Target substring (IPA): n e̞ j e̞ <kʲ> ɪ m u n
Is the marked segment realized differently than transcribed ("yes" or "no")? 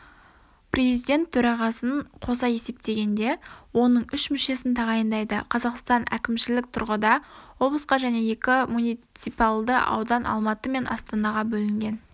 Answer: no